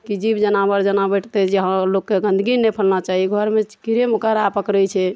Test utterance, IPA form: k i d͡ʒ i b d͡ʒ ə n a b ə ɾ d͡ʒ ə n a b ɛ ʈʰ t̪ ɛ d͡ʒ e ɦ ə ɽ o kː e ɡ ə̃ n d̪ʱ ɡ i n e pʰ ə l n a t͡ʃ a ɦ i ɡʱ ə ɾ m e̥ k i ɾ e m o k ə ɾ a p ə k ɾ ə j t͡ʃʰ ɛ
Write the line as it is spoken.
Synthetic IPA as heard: k i d͡ʒ i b d͡ʒ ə n a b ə ɾ d͡ʒ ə n a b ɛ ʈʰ t̪ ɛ d͡ʒ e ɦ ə l o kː e ɡ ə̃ n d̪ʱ ɡ i n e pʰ ə l n a t͡ʃ a ɦ i ɡʱ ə ɾ m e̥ k i ɾ e m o k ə ɾ a p ə k ɾ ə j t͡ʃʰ ɛ